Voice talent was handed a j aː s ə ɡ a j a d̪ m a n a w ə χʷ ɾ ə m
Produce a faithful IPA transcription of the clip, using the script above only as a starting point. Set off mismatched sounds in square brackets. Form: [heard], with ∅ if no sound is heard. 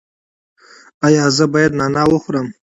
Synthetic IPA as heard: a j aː [z] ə [b] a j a d̪ [n] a n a w ə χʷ ɾ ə m

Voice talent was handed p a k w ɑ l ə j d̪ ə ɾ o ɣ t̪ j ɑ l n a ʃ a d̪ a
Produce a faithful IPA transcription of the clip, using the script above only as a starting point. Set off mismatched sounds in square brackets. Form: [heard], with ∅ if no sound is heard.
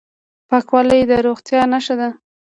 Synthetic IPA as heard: p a k w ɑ l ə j d̪ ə ɾ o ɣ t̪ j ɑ [∅] n a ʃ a d̪ a

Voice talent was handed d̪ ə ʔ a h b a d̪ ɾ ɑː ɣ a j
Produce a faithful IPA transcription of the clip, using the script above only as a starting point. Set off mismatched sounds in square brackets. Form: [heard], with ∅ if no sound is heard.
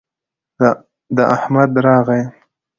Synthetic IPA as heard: d̪ ə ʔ a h [m] a d̪ ɾ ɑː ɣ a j

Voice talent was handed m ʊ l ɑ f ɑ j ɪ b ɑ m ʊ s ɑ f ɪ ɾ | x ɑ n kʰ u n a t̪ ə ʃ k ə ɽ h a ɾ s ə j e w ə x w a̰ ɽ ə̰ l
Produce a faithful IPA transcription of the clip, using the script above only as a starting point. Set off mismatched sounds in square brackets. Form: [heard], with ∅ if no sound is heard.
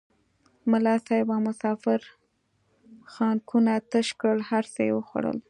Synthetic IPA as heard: m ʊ l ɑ [s] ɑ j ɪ b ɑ m ʊ s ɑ f ɪ ɾ | x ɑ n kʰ u n a t̪ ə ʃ k ə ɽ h a ɾ s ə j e w ə x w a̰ ɽ ə̰ l

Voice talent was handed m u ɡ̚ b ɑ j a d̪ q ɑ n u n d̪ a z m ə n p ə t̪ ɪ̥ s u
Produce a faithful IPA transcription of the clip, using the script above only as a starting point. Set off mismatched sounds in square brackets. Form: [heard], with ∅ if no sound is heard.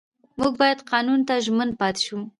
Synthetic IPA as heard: m u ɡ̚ b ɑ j a d̪ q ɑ n u n [t̪] a [ʒ] m ə n p [ɑ] t̪ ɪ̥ [ʃ] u

